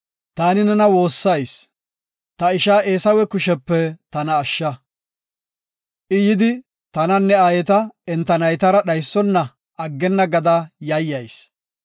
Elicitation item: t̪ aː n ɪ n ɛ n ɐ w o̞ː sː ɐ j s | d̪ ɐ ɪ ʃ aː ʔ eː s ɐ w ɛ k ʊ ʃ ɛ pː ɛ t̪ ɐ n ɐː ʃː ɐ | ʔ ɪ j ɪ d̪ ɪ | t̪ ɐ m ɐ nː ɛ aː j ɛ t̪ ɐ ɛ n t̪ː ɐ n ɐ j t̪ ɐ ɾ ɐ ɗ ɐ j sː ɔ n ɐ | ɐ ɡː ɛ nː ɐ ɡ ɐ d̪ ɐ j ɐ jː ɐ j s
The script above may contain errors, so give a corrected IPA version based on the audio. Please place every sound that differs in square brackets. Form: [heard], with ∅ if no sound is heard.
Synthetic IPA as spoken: t̪ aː n ɪ n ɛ n ɐ w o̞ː sː ɐ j s | [t̪] ɐ ɪ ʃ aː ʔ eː s ɐ w ɛ k ʊ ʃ ɛ pː ɛ t̪ ɐ n ɐː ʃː ɐ | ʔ ɪ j ɪ d̪ ɪ | t̪ ɐ [n] ɐ nː ɛ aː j ɛ t̪ ɐ ɛ n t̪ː ɐ n ɐ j t̪ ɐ ɾ ɐ ɗ ɐ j sː ɔ [nː] ɐ | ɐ ɡː ɛ nː ɐ ɡ ɐ d̪ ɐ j ɐ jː ɐ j s

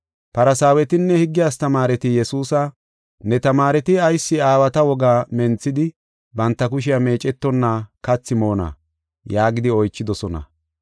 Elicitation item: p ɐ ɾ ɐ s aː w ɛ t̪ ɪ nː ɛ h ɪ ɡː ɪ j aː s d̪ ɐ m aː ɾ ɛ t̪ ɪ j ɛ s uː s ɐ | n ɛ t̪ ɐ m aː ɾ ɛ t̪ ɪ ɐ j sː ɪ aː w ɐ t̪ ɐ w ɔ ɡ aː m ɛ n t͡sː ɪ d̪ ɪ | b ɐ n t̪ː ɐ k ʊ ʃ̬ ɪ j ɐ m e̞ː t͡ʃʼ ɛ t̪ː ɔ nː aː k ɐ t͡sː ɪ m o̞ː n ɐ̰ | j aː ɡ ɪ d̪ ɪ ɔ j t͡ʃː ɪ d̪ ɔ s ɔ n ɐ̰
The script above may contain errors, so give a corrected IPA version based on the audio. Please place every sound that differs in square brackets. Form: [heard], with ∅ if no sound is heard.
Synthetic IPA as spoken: p ɐ ɾ ɐ s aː w ɛ t̪ ɪ nː ɛ h ɪ ɡː ɪ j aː s [t̪] ɐ m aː ɾ ɛ t̪ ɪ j ɛ s uː s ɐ | n ɛ t̪ ɐ m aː ɾ ɛ t̪ ɪ ɐ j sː ɪ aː w ɐ t̪ ɐ w ɔ ɡ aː m ɛ n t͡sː ɪ d̪ ɪ | b ɐ n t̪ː ɐ k ʊ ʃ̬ ɪ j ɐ m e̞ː t͡ʃʼ ɛ t̪ː ɔ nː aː k ɐ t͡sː ɪ m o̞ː n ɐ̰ | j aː ɡ ɪ d̪ ɪ ɔ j t͡ʃː ɪ d̪ ɔ s ɔ n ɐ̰

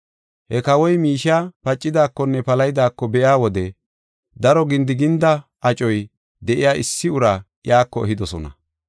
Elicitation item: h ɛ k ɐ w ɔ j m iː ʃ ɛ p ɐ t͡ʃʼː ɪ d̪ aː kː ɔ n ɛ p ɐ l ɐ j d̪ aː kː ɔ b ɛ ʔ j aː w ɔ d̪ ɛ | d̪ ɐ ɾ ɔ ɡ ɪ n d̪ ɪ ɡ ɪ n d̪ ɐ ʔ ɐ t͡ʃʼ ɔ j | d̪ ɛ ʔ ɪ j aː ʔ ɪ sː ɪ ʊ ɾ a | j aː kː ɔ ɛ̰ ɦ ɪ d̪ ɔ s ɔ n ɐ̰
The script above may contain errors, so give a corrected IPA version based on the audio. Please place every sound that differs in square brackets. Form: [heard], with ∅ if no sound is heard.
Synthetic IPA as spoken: h ɛ k ɐ w ɔ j m iː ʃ [a] p ɐ t͡ʃʼː ɪ d̪ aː kː ɔ [nː] ɛ p ɐ l ɐ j d̪ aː kː ɔ b ɛ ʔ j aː w ɔ d̪ ɛ | d̪ ɐ ɾ ɔ ɡ ɪ n d̪ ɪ ɡ ɪ n d̪ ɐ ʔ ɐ t͡ʃʼ ɔ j | d̪ ɛ ʔ ɪ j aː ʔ ɪ sː ɪ ʊ ɾ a | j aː kː ɔ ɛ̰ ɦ ɪ d̪ ɔ s ɔ n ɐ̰

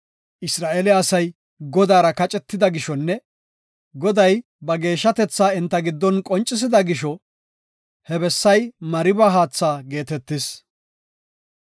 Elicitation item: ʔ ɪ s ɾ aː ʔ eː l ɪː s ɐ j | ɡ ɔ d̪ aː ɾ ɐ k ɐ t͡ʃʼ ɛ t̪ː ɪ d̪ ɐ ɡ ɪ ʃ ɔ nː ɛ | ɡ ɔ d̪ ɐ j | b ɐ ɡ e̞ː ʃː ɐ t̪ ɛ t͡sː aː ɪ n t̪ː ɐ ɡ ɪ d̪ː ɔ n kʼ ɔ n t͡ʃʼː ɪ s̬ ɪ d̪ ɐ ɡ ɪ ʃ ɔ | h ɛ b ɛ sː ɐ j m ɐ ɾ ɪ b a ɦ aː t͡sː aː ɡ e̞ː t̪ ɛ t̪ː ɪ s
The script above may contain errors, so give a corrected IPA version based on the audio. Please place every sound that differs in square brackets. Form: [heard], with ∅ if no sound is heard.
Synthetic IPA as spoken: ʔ ɪ s ɾ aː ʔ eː l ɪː s ɐ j | ɡ ɔ d̪ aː ɾ ɐ k ɐ t͡ʃʼ ɛ t̪ː ɪ d̪ ɐ ɡ ɪ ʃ ɔ nː ɛ | ɡ ɔ d̪ ɐ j | b ɐ ɡ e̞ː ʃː ɐ t̪ ɛ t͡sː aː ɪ n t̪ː ɐ ɡ ɪ d̪ː ɔ n kʼ ɔ n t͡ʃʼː ɪ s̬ ɪ d̪ ɐ ɡ ɪ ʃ ɔ | h ɛ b ɛ sː ɐ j m ɐ ɾ ɪ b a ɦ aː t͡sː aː ɡ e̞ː t̪ ɛ t̪ː ɪ s

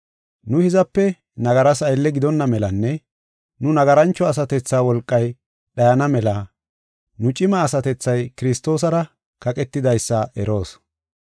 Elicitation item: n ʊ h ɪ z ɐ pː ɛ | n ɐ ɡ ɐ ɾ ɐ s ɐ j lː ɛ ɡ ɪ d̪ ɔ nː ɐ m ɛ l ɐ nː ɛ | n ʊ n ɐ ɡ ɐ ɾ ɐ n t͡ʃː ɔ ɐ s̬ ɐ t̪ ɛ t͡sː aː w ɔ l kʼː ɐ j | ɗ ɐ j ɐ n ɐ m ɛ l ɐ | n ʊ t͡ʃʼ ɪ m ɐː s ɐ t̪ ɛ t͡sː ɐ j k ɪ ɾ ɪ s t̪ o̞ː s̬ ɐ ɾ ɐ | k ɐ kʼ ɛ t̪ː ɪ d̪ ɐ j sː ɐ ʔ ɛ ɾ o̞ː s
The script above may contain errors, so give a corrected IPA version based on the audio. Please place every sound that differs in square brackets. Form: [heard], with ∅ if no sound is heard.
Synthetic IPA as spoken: n ʊ h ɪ z ɐ pː ɛ | n ɐ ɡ ɐ ɾ ɐ s ɐ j lː ɛ ɡ ɪ d̪ ɔ nː ɐ m ɛ l ɐ nː ɛ | n ʊ n ɐ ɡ ɐ ɾ ɐ n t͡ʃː ɔ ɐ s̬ ɐ t̪ ɛ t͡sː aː w ɔ l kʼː ɐ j | ɗ ɐ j ɐ n ɐ m ɛ l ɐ | n ʊ t͡ʃʼ ɪ m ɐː s ɐ t̪ ɛ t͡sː ɐ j k ɪ ɾ ɪ s t̪ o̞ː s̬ ɐ ɾ ɐ | k ɐ kʼ ɛ t̪ː ɪ d̪ ɐ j sː ɐ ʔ ɛ ɾ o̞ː s

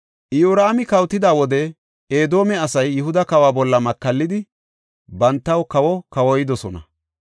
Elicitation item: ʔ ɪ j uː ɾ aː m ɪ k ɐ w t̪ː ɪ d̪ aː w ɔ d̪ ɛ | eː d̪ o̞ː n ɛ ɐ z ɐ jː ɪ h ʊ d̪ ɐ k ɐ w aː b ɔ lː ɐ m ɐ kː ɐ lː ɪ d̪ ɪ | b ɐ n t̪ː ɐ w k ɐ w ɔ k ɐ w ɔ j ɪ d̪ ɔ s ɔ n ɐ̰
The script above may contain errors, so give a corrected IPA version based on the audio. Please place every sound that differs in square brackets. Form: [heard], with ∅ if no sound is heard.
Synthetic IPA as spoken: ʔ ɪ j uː ɾ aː m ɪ k ɐ w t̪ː ɪ d̪ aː w ɔ d̪ ɛ | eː d̪ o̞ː [m] ɛ ɐ [s] ɐ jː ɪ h ʊ d̪ ɐ k ɐ w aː b ɔ lː ɐ m ɐ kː ɐ lː ɪ d̪ ɪ | b ɐ n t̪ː ɐ w k ɐ w ɔ k ɐ w ɔ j ɪ d̪ ɔ s ɔ n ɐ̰

